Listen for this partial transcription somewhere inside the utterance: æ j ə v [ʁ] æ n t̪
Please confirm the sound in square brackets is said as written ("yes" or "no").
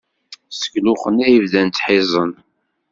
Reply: no